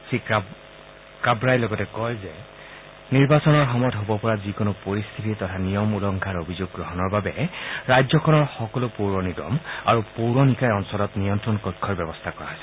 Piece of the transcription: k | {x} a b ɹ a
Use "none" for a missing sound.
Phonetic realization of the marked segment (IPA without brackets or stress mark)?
k